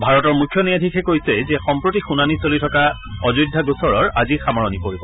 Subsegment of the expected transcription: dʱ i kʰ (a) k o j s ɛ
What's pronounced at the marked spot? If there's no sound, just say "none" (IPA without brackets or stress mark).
ɛ